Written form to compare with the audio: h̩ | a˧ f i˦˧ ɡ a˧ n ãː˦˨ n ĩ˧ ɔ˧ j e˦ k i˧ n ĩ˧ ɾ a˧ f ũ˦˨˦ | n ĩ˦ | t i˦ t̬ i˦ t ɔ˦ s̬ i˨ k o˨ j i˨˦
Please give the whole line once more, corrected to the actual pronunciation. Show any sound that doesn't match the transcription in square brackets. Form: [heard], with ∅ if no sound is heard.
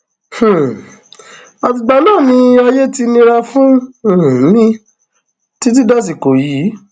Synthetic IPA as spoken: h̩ | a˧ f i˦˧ [ɡ͡b] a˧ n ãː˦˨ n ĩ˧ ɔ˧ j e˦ [t] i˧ n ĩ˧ ɾ a˧ f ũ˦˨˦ | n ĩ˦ | t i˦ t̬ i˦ [d] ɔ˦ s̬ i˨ k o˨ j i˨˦